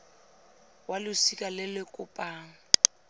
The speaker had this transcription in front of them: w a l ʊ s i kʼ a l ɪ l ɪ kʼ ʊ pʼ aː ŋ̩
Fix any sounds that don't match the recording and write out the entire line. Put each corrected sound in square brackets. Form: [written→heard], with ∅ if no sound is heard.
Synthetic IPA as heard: w a l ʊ s i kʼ a l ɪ l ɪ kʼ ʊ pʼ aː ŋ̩